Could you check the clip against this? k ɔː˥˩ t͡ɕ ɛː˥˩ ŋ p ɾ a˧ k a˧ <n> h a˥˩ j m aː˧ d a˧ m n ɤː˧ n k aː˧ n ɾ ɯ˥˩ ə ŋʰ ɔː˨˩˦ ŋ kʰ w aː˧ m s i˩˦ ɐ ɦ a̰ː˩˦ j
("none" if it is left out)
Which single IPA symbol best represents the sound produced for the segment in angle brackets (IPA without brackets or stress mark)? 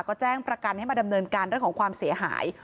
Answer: n